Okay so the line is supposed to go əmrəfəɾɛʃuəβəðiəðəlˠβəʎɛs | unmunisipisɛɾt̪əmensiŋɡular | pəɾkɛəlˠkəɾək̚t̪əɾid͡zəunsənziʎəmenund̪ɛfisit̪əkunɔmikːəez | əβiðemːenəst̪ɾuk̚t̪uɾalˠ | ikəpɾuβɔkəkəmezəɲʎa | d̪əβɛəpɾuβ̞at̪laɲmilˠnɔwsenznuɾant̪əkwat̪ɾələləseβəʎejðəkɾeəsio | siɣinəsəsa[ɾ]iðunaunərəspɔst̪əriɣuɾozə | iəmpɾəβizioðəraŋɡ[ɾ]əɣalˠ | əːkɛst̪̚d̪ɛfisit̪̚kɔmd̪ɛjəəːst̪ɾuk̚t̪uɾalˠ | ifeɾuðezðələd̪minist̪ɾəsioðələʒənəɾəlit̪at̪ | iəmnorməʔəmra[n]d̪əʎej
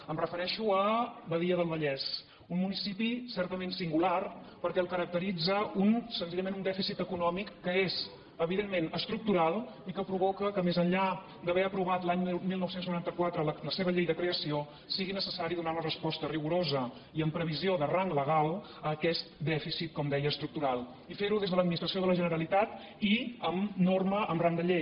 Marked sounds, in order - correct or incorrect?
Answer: correct, incorrect: l, incorrect: ŋ

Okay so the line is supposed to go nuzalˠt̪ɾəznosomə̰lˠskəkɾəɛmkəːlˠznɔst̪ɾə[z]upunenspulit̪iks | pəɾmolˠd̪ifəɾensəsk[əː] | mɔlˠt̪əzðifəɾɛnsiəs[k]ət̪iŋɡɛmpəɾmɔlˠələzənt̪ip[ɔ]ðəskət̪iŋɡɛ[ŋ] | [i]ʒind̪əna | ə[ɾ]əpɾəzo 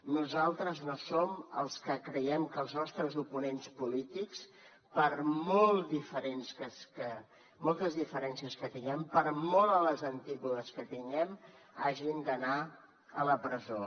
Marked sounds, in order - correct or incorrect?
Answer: correct, incorrect: ə, correct, incorrect: u, incorrect: m, incorrect: a, incorrect: l

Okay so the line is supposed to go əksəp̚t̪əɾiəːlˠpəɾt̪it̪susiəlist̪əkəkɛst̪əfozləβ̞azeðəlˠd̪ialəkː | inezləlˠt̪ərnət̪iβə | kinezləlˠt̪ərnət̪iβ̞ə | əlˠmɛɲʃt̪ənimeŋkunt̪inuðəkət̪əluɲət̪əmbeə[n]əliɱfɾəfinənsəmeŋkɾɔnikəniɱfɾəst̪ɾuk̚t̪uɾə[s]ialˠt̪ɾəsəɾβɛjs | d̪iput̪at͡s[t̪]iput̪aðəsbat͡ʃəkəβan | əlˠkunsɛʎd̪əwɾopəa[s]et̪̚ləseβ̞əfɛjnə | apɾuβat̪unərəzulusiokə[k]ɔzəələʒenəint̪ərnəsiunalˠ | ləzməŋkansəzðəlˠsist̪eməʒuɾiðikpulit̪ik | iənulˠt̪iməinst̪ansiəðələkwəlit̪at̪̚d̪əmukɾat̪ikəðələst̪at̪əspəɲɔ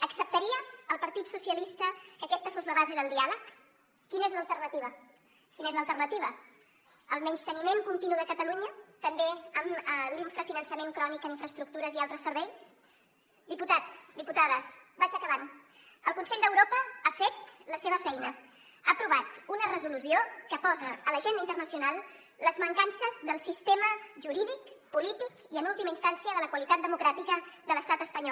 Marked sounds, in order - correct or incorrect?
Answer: incorrect: m, incorrect: z, incorrect: d̪, incorrect: f, incorrect: p

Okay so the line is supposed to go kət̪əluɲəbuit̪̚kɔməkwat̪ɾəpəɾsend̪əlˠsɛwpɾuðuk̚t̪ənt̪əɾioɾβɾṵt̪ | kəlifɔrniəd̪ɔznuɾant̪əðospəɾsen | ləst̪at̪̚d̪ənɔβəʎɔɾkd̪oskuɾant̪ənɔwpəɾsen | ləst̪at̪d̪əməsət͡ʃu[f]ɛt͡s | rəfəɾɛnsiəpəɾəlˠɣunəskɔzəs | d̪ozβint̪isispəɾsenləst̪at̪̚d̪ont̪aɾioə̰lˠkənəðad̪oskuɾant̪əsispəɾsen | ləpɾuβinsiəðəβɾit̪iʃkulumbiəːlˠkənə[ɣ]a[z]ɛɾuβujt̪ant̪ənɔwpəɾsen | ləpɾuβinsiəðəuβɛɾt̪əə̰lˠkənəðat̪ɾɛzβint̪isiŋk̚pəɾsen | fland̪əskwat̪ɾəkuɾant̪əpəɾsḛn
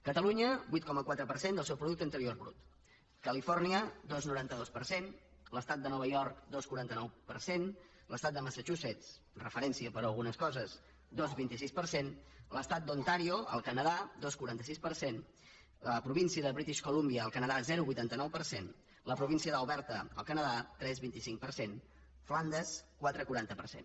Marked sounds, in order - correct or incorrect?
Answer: incorrect: s, incorrect: ð, correct

